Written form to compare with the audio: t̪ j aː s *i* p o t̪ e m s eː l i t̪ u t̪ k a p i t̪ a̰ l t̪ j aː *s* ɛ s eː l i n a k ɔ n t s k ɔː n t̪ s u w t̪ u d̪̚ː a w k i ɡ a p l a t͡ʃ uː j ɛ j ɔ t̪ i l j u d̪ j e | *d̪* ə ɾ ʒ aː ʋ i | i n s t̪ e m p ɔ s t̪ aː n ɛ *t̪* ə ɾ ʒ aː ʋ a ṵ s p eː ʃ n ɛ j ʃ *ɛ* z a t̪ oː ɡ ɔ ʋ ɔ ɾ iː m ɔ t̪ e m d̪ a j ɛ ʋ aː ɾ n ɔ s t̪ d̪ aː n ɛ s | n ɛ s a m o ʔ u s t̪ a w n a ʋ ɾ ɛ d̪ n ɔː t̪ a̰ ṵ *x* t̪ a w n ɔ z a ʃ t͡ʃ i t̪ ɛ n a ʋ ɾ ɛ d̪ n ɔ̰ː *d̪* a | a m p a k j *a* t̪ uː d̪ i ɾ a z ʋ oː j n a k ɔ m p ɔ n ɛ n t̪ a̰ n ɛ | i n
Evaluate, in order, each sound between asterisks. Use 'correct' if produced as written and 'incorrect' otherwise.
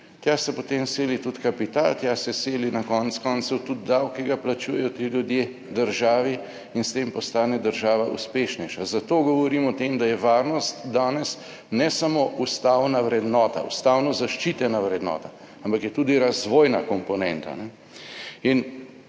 incorrect, correct, correct, incorrect, incorrect, incorrect, incorrect, incorrect

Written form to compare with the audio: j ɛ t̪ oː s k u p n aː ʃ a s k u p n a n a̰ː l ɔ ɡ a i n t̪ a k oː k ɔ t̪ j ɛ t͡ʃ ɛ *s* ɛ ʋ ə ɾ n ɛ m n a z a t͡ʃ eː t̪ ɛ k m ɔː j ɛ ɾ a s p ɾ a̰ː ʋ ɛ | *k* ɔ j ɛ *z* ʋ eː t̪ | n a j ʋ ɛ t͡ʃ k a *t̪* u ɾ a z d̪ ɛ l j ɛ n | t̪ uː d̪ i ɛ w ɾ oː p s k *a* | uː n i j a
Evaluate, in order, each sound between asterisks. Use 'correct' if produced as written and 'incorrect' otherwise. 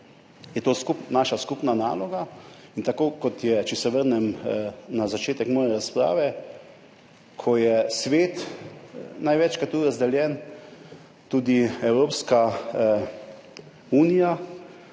correct, incorrect, incorrect, correct, correct

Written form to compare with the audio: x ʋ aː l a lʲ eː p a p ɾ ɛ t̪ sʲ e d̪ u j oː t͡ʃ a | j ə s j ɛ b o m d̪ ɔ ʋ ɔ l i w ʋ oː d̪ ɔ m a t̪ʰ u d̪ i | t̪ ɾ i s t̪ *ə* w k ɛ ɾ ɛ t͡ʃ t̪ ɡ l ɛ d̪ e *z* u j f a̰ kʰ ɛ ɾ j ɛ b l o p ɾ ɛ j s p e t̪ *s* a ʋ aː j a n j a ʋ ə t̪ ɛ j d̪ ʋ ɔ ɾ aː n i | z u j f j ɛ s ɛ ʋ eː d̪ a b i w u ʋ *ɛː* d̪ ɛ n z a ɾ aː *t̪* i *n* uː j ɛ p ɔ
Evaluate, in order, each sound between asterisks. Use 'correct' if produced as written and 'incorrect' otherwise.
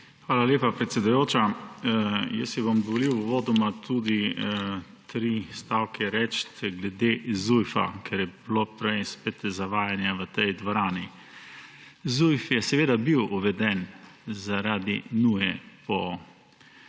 incorrect, correct, incorrect, incorrect, incorrect, correct

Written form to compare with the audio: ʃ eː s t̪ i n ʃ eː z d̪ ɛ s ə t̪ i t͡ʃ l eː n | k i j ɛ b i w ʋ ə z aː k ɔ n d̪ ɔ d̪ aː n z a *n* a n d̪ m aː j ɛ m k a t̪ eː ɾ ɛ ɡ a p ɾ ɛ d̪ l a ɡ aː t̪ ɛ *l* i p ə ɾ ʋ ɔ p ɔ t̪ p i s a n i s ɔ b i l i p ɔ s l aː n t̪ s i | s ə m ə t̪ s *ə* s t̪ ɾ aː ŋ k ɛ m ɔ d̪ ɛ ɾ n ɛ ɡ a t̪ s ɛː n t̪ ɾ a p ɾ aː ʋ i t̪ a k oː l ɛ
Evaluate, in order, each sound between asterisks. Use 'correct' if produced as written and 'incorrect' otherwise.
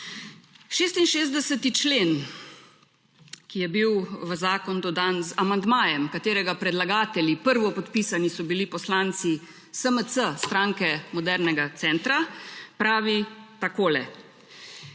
incorrect, correct, correct

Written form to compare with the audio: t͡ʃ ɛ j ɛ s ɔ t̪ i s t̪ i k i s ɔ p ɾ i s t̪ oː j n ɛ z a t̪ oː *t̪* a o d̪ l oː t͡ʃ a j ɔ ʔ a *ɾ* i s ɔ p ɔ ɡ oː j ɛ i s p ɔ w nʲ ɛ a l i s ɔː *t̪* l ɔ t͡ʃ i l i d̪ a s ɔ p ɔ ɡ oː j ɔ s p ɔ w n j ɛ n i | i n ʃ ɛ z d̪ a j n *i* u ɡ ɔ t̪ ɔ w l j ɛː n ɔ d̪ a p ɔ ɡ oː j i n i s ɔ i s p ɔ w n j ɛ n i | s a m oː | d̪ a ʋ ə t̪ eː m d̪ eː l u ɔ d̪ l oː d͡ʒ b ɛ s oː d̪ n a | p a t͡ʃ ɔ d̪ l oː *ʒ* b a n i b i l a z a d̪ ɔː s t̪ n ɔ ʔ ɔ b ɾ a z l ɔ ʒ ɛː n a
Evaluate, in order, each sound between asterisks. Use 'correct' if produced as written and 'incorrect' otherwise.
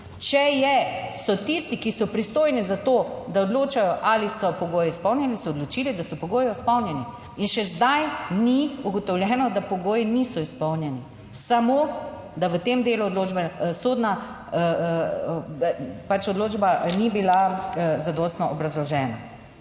incorrect, incorrect, incorrect, correct, incorrect

